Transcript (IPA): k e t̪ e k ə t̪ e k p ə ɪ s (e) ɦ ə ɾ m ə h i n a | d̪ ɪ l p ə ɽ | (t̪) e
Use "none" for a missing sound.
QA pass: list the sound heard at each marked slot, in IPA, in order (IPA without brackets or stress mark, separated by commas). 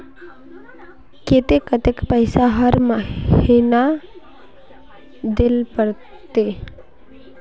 a, t̪